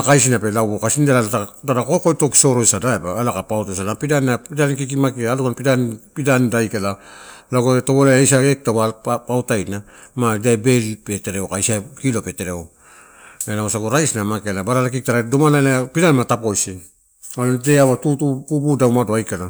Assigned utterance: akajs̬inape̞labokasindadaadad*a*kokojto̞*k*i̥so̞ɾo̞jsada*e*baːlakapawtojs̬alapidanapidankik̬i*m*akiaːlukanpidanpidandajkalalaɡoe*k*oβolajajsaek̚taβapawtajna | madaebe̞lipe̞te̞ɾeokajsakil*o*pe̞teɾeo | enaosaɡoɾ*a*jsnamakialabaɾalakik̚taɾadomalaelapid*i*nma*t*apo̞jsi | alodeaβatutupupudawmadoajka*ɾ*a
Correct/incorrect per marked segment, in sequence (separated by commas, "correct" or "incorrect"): correct, correct, correct, correct, incorrect, correct, correct, incorrect, correct, incorrect